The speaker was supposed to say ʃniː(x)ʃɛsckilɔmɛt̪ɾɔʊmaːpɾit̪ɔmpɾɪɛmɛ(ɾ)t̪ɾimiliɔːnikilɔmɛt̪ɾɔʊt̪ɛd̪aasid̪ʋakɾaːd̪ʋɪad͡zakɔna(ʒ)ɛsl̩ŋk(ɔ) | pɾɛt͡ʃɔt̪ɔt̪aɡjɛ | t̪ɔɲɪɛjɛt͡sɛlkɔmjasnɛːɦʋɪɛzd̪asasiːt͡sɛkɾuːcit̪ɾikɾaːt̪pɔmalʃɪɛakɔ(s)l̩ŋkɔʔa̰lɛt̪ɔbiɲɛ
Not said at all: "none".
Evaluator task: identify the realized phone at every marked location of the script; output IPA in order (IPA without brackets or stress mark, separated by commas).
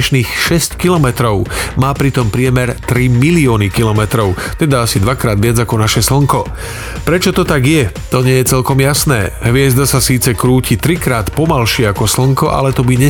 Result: x, ɾ, ʃ, ɔ, s